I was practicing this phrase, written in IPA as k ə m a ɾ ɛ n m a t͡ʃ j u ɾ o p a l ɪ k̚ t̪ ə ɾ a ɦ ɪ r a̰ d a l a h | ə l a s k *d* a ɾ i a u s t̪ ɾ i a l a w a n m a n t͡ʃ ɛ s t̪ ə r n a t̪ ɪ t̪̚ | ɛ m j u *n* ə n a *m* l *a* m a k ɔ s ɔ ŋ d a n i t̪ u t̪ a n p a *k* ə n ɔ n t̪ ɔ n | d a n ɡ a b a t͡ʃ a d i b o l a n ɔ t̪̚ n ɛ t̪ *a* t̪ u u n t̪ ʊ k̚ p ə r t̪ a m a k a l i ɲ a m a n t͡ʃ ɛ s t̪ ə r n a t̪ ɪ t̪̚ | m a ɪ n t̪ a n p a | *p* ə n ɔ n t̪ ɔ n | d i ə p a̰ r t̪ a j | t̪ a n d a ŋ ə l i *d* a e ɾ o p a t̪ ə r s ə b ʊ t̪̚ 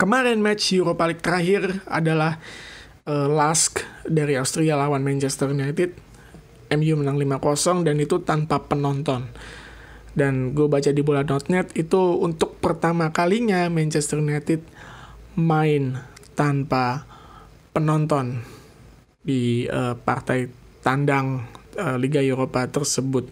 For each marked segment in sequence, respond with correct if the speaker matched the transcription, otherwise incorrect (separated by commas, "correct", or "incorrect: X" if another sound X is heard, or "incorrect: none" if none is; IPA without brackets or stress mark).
correct, incorrect: m, incorrect: ŋ, incorrect: i, incorrect: p, incorrect: i, correct, incorrect: ɡ